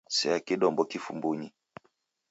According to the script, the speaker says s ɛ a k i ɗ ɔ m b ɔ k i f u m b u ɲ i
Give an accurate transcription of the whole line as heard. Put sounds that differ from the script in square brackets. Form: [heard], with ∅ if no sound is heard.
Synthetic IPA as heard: s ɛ a k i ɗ ɔ m b ɔ k i f u m b u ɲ i